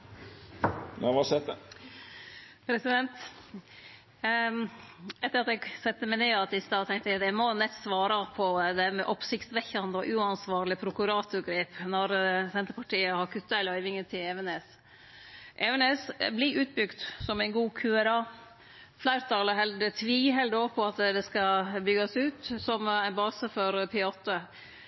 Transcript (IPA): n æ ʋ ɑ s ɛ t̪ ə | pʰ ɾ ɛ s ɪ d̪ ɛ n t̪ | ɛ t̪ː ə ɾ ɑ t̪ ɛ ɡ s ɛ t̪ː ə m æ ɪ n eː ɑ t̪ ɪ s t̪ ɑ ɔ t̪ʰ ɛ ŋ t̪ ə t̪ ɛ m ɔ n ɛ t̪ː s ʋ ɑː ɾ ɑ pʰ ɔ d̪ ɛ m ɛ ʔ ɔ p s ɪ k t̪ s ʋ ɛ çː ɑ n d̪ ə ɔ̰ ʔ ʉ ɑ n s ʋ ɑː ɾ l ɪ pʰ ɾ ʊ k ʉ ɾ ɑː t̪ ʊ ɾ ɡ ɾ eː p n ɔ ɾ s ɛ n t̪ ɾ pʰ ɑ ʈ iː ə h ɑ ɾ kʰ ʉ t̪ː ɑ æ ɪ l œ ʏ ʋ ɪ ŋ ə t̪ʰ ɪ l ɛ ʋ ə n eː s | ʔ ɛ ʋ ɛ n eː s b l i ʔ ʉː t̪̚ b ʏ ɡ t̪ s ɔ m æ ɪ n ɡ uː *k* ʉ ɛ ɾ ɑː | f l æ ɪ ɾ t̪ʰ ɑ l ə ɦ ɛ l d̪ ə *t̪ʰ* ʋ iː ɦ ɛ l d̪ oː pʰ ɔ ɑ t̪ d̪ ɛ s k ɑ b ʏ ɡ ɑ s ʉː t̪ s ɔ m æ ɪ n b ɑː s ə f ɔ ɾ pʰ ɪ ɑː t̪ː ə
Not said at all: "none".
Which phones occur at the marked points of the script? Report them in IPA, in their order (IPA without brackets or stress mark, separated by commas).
kʰ, t̪ʰ